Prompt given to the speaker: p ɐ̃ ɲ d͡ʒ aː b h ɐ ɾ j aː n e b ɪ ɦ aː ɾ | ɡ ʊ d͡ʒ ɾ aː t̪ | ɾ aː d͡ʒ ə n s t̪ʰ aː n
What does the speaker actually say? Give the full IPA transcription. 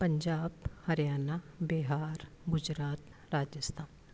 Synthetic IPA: p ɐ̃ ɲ d͡ʒ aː b h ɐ ɾ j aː n a b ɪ ɦ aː ɾ | ɡ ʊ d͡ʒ ɾ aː t̪ | ɾ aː d͡ʒ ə s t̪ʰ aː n